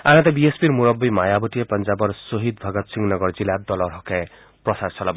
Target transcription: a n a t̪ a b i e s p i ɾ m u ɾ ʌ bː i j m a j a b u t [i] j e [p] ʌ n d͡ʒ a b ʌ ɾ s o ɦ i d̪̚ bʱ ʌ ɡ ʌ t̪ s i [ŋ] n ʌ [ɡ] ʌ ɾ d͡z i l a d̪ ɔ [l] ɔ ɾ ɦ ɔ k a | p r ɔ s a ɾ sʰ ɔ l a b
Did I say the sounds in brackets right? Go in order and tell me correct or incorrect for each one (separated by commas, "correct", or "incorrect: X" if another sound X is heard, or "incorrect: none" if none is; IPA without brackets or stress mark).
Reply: correct, correct, correct, correct, correct